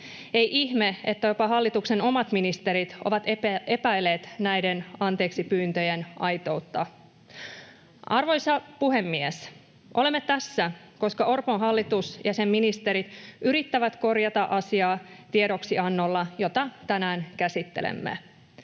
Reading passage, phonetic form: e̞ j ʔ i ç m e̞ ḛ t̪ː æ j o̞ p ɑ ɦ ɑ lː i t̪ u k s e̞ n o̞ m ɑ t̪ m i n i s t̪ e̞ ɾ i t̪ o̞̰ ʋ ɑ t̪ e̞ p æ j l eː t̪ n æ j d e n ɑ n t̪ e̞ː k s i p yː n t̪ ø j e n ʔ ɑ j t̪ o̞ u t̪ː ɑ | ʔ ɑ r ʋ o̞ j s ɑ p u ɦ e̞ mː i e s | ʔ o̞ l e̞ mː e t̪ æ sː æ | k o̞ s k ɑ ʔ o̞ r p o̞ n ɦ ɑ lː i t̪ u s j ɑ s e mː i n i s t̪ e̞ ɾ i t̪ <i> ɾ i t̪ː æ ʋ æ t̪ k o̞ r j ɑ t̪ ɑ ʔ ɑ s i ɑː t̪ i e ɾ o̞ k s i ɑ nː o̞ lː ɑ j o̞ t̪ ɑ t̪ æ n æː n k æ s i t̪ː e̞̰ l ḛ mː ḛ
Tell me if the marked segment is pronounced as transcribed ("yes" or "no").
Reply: no